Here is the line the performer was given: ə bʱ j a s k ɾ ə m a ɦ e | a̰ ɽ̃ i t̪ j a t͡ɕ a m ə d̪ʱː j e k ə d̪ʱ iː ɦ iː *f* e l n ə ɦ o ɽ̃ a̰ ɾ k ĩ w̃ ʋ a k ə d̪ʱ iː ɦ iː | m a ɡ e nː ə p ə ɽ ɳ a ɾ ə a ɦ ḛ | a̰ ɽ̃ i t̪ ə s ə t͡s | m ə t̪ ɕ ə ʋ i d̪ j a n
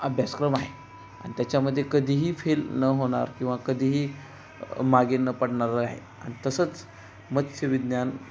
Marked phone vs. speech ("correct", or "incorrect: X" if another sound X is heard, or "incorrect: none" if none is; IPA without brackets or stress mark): correct